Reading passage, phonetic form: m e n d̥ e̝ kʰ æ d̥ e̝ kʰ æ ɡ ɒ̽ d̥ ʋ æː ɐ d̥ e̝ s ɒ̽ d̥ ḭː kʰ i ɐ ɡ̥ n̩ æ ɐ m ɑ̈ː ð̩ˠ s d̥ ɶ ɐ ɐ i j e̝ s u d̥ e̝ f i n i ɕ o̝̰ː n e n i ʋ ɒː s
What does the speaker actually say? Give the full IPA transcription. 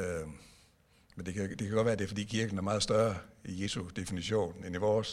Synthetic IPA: m e n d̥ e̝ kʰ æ d̥ e̝ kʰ æ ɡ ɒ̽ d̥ ʋ æː ɐ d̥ e̝ f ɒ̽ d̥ ḭː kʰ i ɐ ɡ̥ n̩ æ ɐ m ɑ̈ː ð̩ˠ s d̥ ɶ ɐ ɐ i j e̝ s u d̥ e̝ f i n i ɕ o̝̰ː n e n i ʋ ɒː s